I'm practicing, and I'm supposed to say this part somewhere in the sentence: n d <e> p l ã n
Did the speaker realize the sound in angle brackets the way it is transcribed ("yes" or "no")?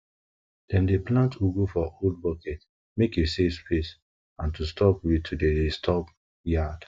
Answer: yes